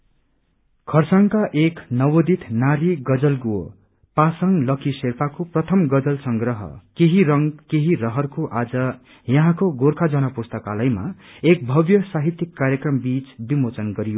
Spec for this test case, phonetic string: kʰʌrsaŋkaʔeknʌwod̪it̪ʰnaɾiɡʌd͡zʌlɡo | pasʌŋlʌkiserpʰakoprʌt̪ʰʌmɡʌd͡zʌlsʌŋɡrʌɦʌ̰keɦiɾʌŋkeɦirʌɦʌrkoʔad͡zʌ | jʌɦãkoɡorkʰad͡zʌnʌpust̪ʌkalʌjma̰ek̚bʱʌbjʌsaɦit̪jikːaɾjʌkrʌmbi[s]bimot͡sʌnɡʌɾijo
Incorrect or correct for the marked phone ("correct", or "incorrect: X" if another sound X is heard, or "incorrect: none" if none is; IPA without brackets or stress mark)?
incorrect: t͡s